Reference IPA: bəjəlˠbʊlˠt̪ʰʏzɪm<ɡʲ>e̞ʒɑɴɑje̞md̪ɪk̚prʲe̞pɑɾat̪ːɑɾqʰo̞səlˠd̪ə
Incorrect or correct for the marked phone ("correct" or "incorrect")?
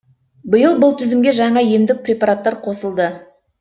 correct